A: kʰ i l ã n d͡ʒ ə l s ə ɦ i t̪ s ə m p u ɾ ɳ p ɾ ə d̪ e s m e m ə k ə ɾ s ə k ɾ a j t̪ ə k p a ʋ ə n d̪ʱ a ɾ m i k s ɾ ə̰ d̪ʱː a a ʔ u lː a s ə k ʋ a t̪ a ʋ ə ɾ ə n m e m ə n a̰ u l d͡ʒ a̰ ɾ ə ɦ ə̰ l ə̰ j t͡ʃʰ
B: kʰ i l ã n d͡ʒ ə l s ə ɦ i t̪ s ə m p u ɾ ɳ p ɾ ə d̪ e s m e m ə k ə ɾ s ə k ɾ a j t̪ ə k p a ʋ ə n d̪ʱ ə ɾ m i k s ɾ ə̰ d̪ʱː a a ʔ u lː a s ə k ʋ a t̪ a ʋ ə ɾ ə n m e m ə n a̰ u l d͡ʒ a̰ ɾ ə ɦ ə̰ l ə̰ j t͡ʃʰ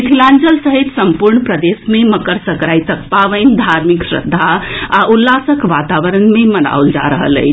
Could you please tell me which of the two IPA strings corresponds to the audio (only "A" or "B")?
A